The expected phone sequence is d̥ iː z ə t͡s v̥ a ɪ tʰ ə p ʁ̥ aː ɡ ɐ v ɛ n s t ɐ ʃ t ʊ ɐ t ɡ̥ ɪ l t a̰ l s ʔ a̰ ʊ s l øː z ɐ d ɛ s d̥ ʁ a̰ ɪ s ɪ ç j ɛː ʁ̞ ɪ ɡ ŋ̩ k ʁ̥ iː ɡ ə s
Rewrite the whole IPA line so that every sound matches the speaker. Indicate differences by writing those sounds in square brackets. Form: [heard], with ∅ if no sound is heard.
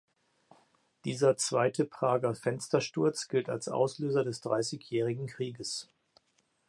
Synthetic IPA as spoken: d̥ iː z [ɐ] t͡s v̥ a ɪ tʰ ə p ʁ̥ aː ɡ ɐ [f] ɛ n s t ɐ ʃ t ʊ ɐ [t͡s] ɡ̥ ɪ l t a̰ l s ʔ a̰ ʊ s l øː z ɐ d ɛ s d̥ ʁ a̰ ɪ s ɪ ç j ɛː ʁ̞ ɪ ɡ ŋ̩ k ʁ̥ iː ɡ ə s